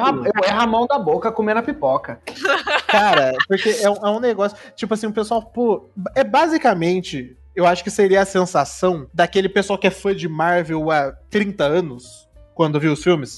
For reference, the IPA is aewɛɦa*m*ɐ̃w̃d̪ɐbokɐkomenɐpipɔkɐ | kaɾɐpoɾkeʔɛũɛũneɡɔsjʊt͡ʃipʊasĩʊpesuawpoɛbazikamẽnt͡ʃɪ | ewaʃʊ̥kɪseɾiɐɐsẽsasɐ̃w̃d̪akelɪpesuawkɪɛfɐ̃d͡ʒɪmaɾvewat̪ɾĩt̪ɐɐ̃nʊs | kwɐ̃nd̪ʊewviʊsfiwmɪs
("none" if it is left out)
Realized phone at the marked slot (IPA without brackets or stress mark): m